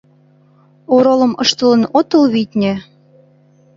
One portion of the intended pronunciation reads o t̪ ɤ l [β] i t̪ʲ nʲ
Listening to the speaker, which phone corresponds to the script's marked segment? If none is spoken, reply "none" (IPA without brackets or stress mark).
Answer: β